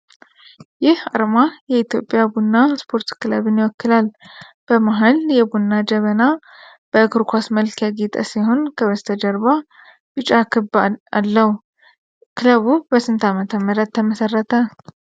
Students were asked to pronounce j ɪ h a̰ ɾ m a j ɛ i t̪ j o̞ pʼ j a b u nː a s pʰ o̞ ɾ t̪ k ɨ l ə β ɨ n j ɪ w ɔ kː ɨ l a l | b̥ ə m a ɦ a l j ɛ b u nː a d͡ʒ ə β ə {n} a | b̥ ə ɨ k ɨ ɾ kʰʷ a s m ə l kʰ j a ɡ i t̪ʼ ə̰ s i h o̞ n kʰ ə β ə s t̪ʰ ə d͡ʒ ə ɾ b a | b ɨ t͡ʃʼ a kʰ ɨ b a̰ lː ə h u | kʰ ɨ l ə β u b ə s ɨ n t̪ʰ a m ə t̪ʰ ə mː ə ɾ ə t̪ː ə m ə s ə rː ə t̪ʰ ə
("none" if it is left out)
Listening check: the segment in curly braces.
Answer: n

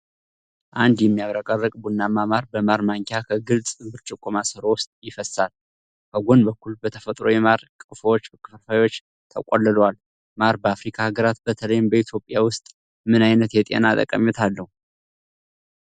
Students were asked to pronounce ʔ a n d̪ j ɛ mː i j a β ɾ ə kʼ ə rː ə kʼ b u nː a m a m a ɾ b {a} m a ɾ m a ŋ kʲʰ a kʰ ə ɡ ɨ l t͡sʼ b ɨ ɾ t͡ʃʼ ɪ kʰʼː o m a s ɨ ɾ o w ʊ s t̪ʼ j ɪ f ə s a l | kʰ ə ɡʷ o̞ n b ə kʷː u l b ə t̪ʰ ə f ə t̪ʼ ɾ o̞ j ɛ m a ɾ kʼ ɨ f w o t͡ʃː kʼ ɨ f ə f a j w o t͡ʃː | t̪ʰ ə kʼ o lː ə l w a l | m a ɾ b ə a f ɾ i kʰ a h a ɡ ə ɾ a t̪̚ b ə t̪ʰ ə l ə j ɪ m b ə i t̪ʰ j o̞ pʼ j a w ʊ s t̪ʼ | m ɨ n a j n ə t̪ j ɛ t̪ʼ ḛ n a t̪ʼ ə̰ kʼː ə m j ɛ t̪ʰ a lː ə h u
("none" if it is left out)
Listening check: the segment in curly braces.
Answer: ə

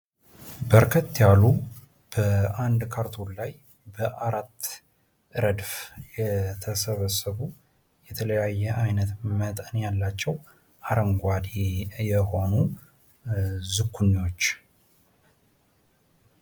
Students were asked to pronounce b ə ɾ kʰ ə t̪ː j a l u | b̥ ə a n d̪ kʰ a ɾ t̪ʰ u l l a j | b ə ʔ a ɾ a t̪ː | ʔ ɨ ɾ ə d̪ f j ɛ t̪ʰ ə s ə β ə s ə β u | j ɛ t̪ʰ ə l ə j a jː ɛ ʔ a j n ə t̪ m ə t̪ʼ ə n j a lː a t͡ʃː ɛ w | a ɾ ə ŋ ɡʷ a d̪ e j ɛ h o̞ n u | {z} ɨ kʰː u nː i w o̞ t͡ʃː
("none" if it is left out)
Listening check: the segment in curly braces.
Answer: z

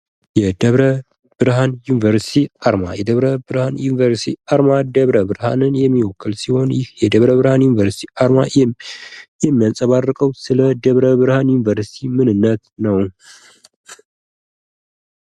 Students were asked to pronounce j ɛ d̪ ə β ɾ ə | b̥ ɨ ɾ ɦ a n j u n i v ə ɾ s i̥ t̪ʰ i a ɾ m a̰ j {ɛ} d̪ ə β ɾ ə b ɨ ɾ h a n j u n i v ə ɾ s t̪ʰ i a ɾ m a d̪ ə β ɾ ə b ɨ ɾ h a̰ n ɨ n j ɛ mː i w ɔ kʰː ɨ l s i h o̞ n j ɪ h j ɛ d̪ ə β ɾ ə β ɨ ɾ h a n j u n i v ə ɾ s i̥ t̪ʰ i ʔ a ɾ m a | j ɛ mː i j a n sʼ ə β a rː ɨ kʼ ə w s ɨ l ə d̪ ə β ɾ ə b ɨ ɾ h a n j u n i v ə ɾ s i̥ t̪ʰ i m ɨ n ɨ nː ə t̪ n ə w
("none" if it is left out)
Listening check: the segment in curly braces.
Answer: ɛ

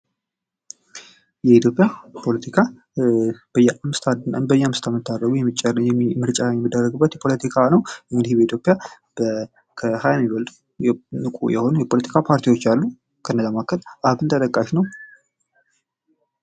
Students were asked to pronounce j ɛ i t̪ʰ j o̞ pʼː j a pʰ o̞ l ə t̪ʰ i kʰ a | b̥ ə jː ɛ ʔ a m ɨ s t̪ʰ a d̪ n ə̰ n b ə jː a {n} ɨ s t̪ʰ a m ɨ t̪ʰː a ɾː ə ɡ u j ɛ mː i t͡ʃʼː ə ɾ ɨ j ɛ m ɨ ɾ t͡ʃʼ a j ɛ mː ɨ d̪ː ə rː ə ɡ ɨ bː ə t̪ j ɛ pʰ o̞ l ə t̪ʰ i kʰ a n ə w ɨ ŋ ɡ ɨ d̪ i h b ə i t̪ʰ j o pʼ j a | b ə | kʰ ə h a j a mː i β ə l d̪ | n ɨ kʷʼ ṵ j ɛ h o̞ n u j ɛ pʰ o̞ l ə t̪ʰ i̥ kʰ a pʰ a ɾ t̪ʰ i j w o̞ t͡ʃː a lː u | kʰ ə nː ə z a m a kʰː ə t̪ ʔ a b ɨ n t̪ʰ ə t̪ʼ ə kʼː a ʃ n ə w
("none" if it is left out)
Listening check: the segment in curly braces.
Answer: m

